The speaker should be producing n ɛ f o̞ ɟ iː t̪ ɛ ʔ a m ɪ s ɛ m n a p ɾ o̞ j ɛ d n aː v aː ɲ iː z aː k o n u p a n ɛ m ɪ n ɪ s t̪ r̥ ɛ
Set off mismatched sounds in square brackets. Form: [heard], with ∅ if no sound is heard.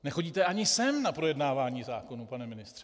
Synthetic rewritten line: n ɛ [x] o̞ ɟ iː t̪ ɛ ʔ a [ɲ] ɪ s ɛ m n a p ɾ o̞ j ɛ d n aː v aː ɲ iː z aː k o n u p a n ɛ m ɪ n ɪ s t̪ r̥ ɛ